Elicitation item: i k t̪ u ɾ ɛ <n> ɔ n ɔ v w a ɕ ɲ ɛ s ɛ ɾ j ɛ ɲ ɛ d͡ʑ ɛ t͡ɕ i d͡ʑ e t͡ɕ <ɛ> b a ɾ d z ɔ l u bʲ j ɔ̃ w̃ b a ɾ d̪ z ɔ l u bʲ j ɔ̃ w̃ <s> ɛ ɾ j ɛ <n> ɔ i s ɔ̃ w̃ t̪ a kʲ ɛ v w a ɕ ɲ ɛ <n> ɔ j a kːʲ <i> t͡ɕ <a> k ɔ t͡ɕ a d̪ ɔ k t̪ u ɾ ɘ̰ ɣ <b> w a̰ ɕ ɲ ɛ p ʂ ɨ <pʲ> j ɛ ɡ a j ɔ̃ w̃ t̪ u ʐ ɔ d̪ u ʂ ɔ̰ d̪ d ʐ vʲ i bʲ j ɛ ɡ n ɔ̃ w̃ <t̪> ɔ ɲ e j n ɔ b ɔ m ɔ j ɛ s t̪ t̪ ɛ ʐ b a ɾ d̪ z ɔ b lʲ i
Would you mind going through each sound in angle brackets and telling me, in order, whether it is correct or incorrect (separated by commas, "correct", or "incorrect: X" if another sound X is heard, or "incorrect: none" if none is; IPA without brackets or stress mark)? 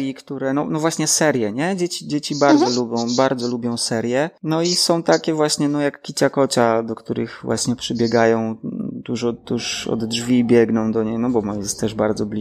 correct, incorrect: i, correct, correct, correct, correct, correct, incorrect: v, incorrect: bʲ, incorrect: d̪